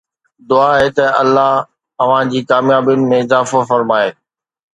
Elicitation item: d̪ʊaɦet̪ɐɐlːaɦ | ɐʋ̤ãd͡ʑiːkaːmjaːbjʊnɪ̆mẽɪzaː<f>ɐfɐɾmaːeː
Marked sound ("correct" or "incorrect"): correct